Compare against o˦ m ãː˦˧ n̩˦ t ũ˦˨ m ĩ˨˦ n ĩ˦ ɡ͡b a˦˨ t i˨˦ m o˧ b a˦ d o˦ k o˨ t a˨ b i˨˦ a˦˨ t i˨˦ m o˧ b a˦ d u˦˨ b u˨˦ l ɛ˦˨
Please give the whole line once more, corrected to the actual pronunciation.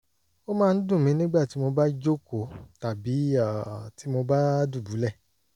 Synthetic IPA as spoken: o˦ m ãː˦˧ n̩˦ d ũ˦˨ m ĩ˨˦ n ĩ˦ ɡ͡b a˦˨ t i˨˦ m o˧ b a˦ d͡ʒ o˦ k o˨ t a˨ b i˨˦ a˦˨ t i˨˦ m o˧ b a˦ d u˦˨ b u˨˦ l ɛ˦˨

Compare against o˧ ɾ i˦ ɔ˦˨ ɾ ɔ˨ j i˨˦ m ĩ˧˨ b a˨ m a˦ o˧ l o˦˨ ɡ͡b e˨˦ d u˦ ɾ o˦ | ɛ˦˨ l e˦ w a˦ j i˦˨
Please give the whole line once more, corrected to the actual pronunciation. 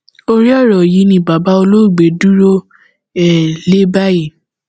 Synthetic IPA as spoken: o˧ ɾ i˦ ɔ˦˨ ɾ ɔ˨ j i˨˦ n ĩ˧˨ b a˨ b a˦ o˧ l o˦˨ ɡ͡b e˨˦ d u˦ ɾ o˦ | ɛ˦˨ l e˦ b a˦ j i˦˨

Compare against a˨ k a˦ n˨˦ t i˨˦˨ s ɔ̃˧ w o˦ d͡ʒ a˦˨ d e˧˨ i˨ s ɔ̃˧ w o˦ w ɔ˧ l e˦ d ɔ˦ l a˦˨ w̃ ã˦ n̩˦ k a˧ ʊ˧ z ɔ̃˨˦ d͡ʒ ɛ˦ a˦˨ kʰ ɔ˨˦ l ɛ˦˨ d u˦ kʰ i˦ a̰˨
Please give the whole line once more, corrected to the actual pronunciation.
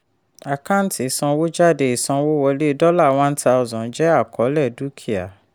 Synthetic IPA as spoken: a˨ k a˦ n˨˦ t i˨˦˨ s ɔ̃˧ w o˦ d͡ʒ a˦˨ d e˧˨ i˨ s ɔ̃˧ w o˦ w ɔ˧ l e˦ d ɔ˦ l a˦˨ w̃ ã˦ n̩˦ t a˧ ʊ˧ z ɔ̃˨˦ d͡ʒ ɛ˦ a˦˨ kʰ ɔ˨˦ l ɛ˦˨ d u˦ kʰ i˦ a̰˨

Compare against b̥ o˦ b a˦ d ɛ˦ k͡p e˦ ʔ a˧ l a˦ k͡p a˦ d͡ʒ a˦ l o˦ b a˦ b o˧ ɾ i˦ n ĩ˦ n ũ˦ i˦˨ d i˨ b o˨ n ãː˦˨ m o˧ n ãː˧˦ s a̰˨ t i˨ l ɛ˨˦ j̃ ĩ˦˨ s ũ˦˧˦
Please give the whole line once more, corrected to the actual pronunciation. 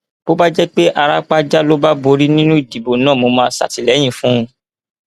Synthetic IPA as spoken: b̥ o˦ b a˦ d͡ʒ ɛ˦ k͡p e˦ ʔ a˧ ɾ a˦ k͡p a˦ d͡ʒ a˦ l o˦ b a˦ b o˧ ɾ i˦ n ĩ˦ n ũ˦ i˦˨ d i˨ b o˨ n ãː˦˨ m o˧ m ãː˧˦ s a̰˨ t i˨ l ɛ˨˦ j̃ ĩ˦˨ f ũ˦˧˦

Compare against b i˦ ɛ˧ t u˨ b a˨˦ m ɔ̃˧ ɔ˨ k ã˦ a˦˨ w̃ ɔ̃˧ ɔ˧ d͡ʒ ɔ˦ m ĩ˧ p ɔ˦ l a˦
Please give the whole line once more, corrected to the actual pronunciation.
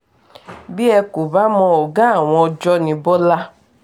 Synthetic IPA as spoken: b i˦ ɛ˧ k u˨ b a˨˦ m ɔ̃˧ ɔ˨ ɡ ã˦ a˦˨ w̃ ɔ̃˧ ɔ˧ d͡ʒ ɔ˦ n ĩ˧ b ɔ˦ l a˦

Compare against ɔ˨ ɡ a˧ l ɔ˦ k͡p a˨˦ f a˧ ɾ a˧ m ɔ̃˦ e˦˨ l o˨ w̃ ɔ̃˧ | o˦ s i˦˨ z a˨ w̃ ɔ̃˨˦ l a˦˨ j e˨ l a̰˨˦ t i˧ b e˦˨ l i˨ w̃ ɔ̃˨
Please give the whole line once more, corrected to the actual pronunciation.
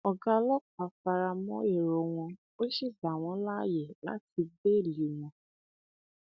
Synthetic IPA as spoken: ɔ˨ ɡ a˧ l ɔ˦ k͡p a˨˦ f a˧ ɾ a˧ m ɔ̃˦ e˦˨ ɾ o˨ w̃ ɔ̃˧ | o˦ ʃ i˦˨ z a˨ w̃ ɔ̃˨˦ l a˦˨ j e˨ l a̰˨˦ t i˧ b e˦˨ l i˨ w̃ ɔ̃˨

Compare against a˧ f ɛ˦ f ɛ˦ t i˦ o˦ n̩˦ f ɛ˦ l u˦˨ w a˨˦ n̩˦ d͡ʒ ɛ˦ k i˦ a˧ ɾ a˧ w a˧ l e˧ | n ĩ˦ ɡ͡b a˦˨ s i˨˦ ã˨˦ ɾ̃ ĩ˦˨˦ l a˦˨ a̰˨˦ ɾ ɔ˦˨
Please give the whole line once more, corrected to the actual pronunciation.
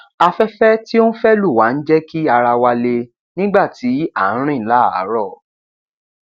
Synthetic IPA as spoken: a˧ f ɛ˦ f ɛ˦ t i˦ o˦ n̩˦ f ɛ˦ l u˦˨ w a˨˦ n̩˦ d͡ʒ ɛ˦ k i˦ a˧ ɾ a˧ w a˧ l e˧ | n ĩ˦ ɡ͡b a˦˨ t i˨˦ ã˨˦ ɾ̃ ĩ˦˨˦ l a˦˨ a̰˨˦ ɾ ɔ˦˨

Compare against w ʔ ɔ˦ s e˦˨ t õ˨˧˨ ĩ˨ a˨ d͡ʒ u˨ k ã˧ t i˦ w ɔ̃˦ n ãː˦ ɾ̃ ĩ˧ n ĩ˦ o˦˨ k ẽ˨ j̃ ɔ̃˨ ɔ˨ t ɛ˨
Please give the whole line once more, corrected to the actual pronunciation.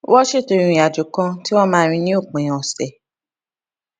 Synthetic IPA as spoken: w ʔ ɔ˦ ʃ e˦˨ t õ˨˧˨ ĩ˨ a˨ d͡ʒ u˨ k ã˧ t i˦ w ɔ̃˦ m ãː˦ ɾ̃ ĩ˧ n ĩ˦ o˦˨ k͡p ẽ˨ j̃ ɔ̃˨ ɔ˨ s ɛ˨

